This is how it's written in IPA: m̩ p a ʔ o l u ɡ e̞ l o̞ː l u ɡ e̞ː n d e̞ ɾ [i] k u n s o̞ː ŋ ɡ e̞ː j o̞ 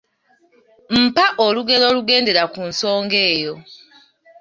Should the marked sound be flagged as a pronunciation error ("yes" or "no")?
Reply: yes